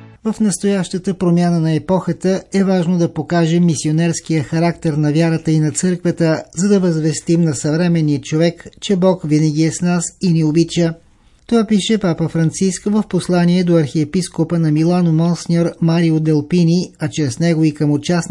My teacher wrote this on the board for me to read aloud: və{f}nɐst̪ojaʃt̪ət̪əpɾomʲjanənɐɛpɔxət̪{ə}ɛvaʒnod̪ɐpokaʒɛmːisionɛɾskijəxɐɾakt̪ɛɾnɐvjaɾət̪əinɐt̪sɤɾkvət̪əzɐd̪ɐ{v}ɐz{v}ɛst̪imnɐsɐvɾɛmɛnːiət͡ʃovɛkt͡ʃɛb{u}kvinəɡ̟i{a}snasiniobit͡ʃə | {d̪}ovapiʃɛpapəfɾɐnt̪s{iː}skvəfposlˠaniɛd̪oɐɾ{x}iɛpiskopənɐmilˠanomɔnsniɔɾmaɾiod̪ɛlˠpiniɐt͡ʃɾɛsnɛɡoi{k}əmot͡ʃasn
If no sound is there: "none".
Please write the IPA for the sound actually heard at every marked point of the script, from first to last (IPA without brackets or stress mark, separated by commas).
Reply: f, ə, v, v, ɔ, ɛ, t̪, i, x, k